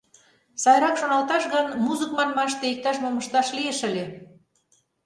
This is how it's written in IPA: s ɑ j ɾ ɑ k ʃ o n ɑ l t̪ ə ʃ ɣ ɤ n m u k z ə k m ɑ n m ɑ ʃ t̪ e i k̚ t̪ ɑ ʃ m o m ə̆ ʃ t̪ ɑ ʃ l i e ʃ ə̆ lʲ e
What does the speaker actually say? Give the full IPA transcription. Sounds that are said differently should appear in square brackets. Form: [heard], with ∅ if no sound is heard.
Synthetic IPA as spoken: s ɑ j ɾ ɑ k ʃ o n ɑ l t̪ [ɑ] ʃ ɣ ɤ n m u [∅] z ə k m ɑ n m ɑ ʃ t̪ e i k̚ t̪ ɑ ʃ m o m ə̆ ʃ t̪ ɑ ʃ l i e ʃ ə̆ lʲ e

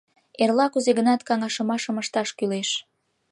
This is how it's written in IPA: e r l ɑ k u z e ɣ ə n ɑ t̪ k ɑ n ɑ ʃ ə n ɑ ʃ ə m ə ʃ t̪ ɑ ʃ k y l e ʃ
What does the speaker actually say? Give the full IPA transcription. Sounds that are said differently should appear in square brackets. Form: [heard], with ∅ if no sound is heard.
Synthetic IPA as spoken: e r l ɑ k u z e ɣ ə n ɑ t̪ k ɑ [ŋ] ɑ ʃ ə [m] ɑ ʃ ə m ə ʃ t̪ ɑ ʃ k y l e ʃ

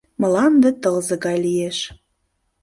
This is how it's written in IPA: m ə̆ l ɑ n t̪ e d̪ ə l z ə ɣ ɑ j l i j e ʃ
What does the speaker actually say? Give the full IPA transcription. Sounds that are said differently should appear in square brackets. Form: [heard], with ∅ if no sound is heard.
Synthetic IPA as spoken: m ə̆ l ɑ n [d̪] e [t̪] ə l z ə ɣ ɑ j l i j e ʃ

